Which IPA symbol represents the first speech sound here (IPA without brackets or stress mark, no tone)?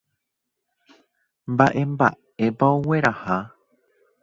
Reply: m